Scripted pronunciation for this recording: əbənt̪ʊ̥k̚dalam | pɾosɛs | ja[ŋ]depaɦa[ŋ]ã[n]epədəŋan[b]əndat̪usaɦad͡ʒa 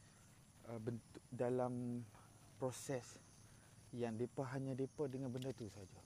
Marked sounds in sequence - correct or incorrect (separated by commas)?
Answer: correct, incorrect, incorrect, correct